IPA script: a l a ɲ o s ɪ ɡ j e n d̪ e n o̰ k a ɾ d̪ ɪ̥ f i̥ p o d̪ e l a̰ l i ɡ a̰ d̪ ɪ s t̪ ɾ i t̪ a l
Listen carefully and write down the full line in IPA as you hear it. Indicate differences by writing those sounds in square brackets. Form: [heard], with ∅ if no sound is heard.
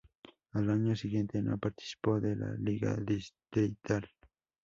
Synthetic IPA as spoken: a l a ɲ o s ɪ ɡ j e n [t̪] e n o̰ [p] a ɾ [t̪] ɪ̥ [s] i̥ p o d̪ e l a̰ l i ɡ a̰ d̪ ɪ s t̪ ɾ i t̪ a l